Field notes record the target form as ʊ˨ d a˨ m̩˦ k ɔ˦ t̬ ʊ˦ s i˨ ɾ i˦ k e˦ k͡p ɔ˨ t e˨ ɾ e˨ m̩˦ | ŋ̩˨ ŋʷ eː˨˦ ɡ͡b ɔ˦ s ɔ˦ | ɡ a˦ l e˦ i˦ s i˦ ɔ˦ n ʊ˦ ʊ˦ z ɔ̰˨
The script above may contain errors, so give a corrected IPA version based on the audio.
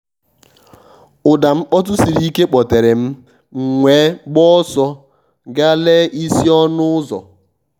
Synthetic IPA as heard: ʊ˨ d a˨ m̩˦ k͡p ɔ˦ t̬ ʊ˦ s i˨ ɾ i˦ k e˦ k͡p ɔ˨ t e˨ ɾ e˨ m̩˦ | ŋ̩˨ ŋʷ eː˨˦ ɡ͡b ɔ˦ s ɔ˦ | ɡ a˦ l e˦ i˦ s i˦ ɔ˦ n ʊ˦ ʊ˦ z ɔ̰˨

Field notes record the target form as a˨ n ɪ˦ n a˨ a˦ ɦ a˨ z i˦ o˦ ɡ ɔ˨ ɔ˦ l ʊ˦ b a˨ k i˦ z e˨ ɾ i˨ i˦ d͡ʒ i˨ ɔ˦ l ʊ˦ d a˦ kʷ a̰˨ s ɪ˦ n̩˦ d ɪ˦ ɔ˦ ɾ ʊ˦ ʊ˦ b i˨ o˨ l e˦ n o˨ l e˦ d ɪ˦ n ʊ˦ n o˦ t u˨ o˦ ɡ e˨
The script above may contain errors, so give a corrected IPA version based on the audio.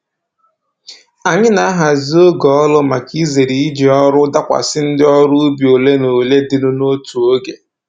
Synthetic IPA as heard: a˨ ɲ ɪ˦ n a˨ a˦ ɦ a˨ z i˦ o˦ ɡ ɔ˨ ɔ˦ l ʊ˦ m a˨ k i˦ z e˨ ɾ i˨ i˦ d͡ʒ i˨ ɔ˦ ɾ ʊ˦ d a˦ kʷ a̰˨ s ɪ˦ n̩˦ d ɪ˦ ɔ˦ ɾ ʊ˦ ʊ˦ b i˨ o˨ l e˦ n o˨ l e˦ d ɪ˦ n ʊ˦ n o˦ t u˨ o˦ ɡ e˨

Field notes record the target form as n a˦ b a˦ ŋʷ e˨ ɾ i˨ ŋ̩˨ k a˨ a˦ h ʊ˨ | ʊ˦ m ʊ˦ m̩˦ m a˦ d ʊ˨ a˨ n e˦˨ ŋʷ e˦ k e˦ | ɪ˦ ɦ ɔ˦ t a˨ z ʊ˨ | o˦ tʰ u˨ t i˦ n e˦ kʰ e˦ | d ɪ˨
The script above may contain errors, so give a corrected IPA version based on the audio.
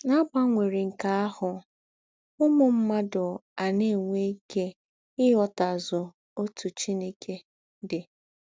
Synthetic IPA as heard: n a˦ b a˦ ŋʷ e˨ ɾ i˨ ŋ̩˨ k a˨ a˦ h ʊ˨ | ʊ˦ m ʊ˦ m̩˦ m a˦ d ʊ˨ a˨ n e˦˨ ŋʷ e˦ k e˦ | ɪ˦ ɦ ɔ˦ t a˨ z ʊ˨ | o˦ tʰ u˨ t͡ʃ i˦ n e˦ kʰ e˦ | d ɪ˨

